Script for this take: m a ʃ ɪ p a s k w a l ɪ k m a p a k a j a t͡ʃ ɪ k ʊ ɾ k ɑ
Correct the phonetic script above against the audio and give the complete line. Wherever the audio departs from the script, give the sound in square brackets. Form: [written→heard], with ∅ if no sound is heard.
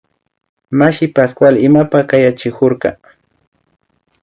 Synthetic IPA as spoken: m a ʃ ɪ p a s k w a l ɪ [k→∅] m a p a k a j a t͡ʃ ɪ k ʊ ɾ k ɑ